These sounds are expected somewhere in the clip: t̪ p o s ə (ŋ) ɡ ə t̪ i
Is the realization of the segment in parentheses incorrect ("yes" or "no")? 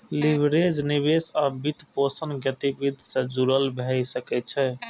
yes